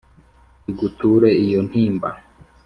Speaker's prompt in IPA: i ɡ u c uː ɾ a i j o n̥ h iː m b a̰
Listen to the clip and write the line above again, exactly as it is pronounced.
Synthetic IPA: i ɡ u t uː ɾ e i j o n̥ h iː m b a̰